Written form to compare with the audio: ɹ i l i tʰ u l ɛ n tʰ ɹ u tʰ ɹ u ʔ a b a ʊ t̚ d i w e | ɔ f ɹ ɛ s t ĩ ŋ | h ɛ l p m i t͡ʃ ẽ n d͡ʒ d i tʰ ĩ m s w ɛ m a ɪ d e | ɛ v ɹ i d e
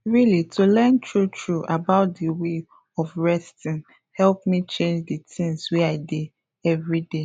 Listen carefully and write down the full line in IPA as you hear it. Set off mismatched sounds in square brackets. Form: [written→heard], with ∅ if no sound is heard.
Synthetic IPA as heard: ɹ i l i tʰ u l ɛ n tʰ ɹ u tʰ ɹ u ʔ a b a ʊ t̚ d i w e | ɔ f ɹ ɛ s t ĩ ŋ | h ɛ l p m i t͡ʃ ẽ n d͡ʒ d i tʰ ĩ [m→ŋ] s w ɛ [m→∅] a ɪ d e | ɛ v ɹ i d e